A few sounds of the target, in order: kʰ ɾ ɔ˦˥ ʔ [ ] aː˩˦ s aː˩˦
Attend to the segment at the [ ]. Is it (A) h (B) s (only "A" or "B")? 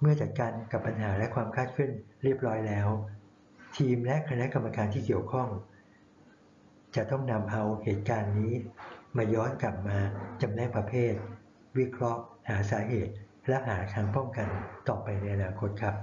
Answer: A